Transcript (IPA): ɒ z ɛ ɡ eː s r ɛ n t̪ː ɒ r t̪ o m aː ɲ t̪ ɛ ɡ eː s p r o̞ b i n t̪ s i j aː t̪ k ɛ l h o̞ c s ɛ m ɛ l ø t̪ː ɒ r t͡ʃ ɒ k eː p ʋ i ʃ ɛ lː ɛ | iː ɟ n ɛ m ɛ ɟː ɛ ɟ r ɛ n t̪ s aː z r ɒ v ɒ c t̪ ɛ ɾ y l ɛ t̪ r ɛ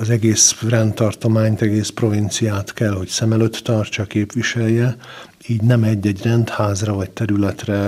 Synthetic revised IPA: ɒ z ɛ ɡ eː s r ɛ n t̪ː ɒ r t̪ o m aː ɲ t̪ ɛ ɡ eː s p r o̞ v i n t̪ s i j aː t̪ k ɛ l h o̞ c s ɛ m ɛ l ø t̪ː ɒ r t͡ʃ ɒ k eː p ʋ i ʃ ɛ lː ɛ | iː ɟ n ɛ m ɛ ɟː ɛ ɟ r ɛ n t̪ h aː z r ɒ v ɒ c t̪ ɛ ɾ y l ɛ t̪ r ɛ